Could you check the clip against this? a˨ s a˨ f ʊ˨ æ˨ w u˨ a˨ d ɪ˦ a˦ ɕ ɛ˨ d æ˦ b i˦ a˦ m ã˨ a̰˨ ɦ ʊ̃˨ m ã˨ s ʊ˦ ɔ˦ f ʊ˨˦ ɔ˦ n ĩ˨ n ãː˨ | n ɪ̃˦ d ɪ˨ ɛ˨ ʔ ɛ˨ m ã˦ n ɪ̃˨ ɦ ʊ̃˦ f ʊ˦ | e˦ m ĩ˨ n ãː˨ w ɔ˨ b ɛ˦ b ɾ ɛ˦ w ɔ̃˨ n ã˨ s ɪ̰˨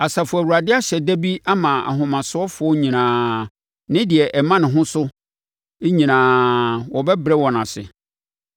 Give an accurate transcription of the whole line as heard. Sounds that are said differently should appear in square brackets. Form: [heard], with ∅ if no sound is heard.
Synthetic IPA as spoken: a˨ s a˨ f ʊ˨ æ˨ w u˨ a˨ d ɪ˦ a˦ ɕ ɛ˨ d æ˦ b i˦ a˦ m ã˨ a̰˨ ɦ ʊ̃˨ m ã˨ s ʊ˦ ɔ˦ f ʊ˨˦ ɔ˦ [ɲ] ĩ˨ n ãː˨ | n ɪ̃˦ d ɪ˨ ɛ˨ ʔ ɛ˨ m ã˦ n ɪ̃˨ ɦ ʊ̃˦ [s] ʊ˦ | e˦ [ɲ] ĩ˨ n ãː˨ w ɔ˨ b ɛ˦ b ɾ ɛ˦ w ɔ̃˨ n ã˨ s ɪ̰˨

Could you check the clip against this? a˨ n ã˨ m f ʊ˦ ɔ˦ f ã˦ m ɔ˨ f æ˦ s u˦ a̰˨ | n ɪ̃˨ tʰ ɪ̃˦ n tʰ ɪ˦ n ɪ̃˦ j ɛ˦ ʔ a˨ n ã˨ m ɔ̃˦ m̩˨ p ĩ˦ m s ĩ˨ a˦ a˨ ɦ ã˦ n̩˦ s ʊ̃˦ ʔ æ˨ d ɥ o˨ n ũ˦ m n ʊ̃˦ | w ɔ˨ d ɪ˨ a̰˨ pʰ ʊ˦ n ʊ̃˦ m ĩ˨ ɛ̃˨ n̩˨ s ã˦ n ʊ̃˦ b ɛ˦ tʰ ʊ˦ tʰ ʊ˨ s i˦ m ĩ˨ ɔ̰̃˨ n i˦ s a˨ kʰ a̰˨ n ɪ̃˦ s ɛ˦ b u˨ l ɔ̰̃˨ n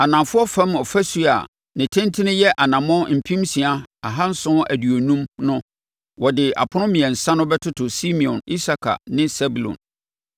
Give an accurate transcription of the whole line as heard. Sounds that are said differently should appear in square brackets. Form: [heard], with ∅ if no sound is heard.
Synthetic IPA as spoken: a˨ n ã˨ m f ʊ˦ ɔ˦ f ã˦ m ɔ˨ f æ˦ s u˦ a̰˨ | n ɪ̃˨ tʰ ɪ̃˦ n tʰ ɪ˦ n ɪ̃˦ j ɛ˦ ʔ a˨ n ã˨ m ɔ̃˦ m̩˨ [pʰ] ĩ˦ m s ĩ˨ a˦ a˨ ɦ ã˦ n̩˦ s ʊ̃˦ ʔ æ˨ d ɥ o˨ n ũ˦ m n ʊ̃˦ | w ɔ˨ d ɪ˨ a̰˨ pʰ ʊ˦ n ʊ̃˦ m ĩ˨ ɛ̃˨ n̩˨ s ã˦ n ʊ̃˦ b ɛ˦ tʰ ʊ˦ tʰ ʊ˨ s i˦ m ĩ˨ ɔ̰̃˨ n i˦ s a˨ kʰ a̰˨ n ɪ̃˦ s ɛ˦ b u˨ l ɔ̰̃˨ n

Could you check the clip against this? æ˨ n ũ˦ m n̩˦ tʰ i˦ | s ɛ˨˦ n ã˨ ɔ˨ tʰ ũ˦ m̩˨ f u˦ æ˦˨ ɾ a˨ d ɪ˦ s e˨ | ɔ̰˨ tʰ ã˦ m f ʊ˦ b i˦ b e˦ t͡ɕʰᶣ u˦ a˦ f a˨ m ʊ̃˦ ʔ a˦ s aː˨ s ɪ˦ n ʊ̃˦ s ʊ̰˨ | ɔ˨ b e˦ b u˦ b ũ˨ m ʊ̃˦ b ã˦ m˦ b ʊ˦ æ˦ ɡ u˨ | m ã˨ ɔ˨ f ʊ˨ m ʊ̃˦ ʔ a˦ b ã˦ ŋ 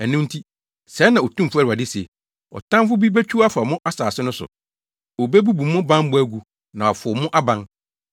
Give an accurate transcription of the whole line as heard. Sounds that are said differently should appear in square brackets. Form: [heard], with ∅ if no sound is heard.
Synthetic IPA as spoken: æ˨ n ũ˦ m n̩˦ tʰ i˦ | s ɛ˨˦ n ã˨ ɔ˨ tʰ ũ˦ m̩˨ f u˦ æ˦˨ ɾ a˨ d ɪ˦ s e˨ | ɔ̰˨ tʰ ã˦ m f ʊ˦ b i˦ b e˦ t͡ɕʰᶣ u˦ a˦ f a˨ m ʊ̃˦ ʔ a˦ s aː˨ s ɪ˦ n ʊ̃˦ s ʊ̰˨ | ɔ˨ b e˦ b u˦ b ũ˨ m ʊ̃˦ b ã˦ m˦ b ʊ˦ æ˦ ɡ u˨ | [n] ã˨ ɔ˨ f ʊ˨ m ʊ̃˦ ʔ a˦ b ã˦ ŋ

